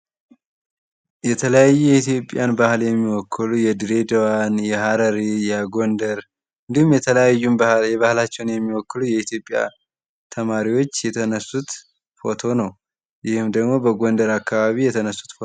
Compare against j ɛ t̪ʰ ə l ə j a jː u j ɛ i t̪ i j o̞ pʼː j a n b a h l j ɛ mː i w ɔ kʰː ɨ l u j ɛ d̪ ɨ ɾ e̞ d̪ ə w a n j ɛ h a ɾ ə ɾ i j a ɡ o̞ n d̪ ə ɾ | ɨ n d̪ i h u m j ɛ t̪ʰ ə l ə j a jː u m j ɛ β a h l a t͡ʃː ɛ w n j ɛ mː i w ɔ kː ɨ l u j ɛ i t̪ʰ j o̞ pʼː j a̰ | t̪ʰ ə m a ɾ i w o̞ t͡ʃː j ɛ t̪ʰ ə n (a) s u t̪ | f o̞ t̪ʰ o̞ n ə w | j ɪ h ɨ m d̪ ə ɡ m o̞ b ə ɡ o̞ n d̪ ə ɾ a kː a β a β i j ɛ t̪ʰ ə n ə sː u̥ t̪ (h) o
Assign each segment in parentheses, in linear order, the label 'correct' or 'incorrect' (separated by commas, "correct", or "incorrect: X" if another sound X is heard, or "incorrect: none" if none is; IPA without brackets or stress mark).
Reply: incorrect: ə, incorrect: f